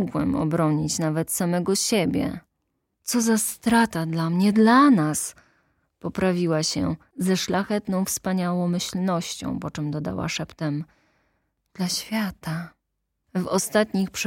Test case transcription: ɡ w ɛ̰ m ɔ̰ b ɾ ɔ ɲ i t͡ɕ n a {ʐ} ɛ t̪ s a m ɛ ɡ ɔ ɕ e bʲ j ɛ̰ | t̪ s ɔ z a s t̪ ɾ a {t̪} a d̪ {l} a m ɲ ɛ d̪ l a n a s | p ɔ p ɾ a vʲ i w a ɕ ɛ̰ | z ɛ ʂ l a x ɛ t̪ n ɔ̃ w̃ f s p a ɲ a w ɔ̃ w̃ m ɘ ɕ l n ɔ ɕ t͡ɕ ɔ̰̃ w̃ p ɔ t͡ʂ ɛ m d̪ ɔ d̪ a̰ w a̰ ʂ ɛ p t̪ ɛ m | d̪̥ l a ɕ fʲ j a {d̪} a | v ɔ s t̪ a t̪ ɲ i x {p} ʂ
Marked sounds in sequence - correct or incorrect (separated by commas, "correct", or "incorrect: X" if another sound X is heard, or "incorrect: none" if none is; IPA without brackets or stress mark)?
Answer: incorrect: v, correct, correct, incorrect: t̪, correct